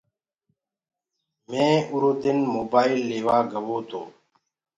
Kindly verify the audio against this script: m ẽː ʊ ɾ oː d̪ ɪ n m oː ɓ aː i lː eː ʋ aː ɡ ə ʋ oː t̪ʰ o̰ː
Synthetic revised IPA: m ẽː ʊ ɾ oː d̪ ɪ n m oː b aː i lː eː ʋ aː ɡ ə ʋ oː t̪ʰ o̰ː